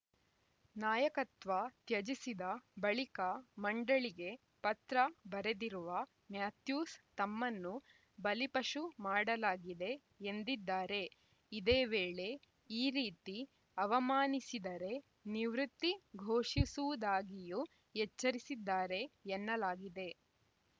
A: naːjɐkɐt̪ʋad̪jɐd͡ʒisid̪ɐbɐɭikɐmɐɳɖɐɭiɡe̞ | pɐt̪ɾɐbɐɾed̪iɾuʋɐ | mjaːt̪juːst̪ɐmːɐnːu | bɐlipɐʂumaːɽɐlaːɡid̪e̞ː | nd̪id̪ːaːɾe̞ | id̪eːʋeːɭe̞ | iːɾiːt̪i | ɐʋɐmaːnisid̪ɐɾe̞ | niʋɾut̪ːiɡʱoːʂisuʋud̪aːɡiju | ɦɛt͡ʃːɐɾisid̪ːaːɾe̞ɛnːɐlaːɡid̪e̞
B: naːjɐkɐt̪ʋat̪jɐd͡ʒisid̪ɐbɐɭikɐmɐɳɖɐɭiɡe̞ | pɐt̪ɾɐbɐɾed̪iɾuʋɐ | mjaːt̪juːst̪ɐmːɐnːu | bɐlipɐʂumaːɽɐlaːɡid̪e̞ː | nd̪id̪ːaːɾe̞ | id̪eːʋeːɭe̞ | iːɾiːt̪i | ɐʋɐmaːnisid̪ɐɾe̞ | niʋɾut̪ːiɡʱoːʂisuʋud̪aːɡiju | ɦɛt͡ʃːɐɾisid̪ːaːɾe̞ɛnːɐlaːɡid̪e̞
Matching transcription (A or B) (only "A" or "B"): B